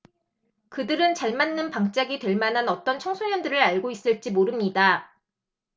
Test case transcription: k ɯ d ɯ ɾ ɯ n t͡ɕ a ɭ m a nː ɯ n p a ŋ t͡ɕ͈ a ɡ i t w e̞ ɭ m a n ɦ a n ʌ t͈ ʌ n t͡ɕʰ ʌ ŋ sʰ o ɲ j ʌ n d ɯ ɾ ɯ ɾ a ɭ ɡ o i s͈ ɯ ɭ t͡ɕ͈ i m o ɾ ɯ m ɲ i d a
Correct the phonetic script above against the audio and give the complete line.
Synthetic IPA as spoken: k ɯ d ɯ ɾ ɯ n t͡ɕ a ɭ m a nː ɯ n p a ŋ t͡ɕ͈ a ɡ i t w e̞ ɭ m a n ɦ a n ʌ t͈ ʌ n t͡ɕʰ ʌ ŋ sʰ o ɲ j ʌ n d ɯ ɾ ɯ ɾ a ɭ ɡ o i s͈ ɯ ɭ t͡ɕ͈ i m o ɾ ɯ m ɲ i d a